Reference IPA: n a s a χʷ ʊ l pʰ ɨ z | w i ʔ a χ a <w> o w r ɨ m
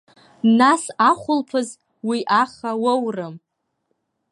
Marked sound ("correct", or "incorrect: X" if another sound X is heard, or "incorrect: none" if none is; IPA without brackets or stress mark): correct